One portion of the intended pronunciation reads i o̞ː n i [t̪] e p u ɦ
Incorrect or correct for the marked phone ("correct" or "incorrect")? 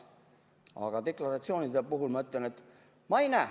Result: incorrect